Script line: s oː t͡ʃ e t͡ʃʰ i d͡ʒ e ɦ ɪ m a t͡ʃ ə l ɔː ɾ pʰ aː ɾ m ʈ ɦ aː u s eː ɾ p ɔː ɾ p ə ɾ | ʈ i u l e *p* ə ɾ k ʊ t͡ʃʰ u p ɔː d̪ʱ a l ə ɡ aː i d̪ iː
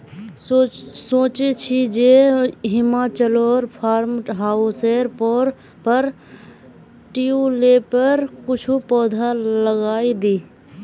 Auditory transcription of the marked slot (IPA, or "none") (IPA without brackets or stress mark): p